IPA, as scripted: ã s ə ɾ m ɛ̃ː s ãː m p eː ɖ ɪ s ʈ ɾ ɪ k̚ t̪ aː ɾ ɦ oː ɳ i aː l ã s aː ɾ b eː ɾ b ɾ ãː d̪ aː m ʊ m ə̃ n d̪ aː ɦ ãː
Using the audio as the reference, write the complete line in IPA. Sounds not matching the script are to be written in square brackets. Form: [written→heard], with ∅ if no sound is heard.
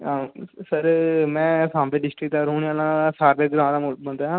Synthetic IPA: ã s ə ɾ m ɛ̃ː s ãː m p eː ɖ ɪ s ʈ ɾ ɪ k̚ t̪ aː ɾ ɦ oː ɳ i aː l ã s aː ɾ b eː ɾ [b→ɡ] ɾ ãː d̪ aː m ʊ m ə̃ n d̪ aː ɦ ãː